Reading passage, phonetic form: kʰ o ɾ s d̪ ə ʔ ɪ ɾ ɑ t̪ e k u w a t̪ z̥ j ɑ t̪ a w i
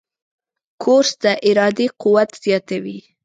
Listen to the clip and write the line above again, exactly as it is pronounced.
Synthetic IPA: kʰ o ɾ s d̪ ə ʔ ɪ ɾ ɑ d̪ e q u w a t̪ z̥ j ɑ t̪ a w i